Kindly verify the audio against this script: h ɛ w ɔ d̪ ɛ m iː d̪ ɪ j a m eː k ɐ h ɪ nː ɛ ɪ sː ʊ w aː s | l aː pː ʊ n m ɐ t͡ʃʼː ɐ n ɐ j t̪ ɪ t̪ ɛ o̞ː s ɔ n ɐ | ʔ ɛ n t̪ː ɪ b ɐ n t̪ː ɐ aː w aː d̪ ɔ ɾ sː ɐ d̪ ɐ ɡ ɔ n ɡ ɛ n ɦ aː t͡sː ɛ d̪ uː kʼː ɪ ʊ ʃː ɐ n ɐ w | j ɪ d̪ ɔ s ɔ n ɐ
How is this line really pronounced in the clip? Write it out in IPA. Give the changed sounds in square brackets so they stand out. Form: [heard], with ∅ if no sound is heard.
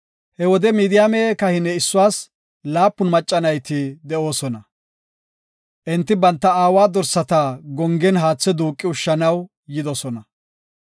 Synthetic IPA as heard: h ɛ w ɔ d̪ ɛ m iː d̪ ɪ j a m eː k ɐ h ɪ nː ɛ ɪ sː ʊ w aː s | l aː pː ʊ n m ɐ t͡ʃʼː ɐ n ɐ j t̪ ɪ [d̪] ɛ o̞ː s ɔ n ɐ | ʔ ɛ n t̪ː ɪ b ɐ n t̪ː ɐ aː w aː d̪ ɔ ɾ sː ɐ [t̪] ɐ ɡ ɔ [ŋ] ɡ ɛ n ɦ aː t͡sː ɛ d̪ uː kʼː ɪ ʊ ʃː ɐ n ɐ w | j ɪ d̪ ɔ s ɔ n ɐ